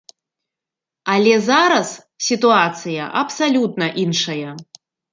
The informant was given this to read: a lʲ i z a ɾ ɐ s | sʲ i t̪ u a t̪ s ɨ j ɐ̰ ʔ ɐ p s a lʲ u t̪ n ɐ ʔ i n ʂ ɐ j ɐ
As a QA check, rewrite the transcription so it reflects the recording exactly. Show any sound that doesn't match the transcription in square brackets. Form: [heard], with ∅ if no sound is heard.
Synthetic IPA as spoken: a lʲ [ɛ] z a ɾ ɐ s | sʲ i t̪ u a t̪ s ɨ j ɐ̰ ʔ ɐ p s a lʲ u t̪ n ɐ ʔ i n ʂ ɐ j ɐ

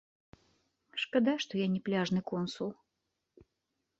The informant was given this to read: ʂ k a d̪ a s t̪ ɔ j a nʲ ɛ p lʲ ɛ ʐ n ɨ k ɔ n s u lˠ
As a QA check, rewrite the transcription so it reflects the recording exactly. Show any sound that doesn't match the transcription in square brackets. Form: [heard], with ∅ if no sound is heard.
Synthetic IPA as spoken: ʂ k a d̪ a [ʂ] t̪ ɔ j a nʲ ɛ p lʲ [a] ʐ n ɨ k ɔ n s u lˠ

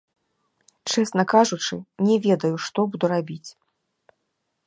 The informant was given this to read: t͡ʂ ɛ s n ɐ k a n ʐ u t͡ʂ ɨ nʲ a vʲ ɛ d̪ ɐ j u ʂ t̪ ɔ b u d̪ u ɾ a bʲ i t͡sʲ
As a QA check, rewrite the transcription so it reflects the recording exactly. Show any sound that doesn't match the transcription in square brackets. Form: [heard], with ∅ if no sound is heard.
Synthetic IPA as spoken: t͡ʂ ɛ s n ɐ k a [∅] ʐ u t͡ʂ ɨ nʲ [ɛ] vʲ ɛ d̪ ɐ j u ʂ t̪ ɔ b u d̪ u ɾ a bʲ i t͡sʲ

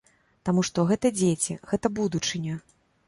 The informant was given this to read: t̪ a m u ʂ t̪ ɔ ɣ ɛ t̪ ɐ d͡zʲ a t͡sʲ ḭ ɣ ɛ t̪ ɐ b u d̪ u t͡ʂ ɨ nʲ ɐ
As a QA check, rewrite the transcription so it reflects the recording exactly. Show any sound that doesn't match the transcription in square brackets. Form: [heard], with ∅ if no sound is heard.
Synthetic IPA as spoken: t̪ a m u ʂ t̪ ɔ ɣ ɛ t̪ ɐ d͡zʲ [e] t͡sʲ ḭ ɣ ɛ t̪ ɐ b u d̪ u t͡ʂ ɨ nʲ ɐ

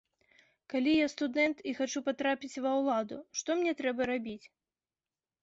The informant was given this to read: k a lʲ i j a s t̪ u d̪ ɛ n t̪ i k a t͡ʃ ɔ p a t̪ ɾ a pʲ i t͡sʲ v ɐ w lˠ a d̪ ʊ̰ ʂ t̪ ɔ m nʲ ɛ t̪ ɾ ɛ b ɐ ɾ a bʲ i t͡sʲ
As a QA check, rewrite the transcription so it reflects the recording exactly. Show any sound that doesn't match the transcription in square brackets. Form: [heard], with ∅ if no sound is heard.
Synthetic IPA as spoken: k a lʲ i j a s t̪ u d̪ ɛ n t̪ i [x] a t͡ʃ [u] p a t̪ ɾ a pʲ i t͡sʲ v ɐ w lˠ a d̪ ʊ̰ ʂ t̪ ɔ m nʲ ɛ t̪ ɾ ɛ b ɐ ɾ a bʲ i t͡sʲ

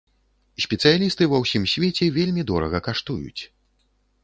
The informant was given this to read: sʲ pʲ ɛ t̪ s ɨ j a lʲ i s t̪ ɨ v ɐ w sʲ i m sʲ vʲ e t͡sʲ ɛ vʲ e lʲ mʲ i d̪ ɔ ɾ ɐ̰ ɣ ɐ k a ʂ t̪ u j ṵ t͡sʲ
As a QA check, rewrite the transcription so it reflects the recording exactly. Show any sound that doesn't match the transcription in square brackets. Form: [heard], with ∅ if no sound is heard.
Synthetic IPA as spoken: sʲ pʲ ɛ t̪ s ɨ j a lʲ i s t̪ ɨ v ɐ w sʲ i m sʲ vʲ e t͡sʲ ɛ vʲ e lʲ mʲ i d̪ ɔ ɾ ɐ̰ ɣ ɐ k a ʂ t̪ u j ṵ t͡sʲ

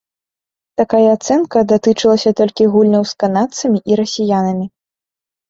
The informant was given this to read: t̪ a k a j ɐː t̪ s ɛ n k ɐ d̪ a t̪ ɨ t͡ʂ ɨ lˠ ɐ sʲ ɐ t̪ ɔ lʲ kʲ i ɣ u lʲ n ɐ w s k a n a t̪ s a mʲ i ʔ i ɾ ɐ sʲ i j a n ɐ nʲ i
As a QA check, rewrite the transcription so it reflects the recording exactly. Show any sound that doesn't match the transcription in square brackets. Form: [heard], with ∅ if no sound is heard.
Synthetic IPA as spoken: t̪ a k a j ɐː t̪ s ɛ n k ɐ d̪ a t̪ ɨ t͡ʂ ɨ lˠ ɐ sʲ ɐ t̪ ɔ lʲ kʲ i ɣ u lʲ n ɐ w s k a n a t̪ s [ɐ] mʲ i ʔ i ɾ ɐ sʲ i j a n ɐ [mʲ] i

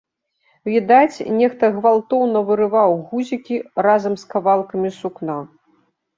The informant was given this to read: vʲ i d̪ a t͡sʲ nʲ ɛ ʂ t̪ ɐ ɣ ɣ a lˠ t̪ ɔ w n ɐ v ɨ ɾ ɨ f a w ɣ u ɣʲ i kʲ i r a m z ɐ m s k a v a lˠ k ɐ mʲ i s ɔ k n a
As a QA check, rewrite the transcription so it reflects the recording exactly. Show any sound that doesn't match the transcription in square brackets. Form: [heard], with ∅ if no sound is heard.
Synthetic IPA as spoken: vʲ i d̪ a t͡sʲ nʲ ɛ [x] t̪ ɐ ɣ [v] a lˠ t̪ ɔ w n ɐ v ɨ ɾ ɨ [v] a w ɣ u [zʲ] i kʲ i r a [∅] z ɐ m s k a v a lˠ k ɐ mʲ i s [u] k n a

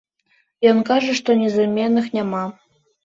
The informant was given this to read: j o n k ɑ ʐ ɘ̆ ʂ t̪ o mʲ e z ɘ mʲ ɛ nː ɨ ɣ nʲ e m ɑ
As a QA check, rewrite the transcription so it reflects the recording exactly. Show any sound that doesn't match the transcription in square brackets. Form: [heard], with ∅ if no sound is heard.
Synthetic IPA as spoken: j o n k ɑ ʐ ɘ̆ ʂ t̪ o [nʲ] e z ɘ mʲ [e] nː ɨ [x] nʲ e m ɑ

